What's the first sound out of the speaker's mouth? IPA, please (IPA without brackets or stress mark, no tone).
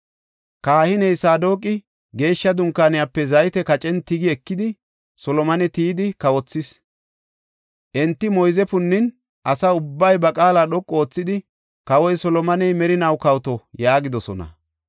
k